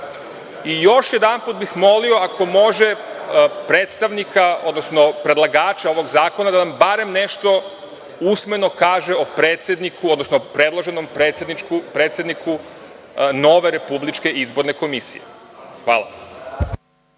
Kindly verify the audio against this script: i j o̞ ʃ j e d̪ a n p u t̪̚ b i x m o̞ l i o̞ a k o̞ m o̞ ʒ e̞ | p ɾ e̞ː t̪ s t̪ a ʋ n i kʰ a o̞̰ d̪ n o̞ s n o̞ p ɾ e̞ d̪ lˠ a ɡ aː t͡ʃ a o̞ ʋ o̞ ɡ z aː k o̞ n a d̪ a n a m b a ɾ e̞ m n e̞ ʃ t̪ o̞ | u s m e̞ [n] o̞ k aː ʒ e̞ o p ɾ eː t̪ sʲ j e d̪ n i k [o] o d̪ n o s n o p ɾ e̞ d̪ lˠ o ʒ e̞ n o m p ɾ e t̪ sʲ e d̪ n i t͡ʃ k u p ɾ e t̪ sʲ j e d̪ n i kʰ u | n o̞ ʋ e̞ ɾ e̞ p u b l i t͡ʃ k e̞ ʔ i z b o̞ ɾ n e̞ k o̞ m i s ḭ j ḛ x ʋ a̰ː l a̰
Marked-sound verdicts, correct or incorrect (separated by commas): correct, incorrect